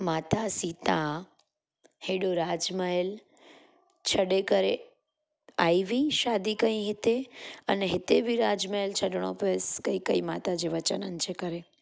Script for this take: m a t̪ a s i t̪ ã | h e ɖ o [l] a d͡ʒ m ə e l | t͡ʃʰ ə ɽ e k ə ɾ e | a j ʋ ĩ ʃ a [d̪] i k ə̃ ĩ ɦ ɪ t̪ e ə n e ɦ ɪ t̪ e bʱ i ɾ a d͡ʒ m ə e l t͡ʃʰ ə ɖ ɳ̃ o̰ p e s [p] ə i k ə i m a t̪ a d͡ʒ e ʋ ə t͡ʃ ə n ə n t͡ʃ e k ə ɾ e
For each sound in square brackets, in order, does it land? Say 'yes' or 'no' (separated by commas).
no, yes, no